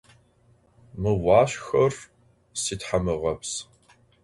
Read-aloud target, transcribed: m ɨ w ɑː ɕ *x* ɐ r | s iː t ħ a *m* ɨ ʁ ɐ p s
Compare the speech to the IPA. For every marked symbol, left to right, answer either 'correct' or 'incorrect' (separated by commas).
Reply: correct, correct